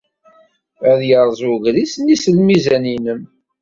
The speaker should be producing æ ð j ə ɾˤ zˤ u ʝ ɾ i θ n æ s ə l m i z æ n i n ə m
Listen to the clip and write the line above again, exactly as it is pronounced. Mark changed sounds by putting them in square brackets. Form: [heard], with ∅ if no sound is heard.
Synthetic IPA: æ ð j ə ɾˤ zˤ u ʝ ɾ i [s] n [i] s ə l m i z æ n i n ə m